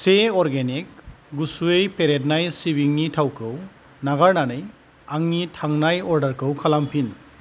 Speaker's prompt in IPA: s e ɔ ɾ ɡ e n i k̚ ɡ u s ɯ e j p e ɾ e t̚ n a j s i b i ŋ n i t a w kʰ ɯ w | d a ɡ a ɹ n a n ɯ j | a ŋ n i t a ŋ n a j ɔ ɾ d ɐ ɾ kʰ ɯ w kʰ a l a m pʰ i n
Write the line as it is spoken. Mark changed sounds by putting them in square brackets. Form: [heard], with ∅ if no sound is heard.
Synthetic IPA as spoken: s e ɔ ɾ ɡ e n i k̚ ɡ u s [u] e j p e ɾ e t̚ n a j s i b i ŋ n i [tʰ] a w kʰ ɯ w | [n] a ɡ a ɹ n a n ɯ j | a ŋ n i [tʰ] a ŋ n a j ɔ ɾ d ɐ ɾ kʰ ɯ w kʰ a l a m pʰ i n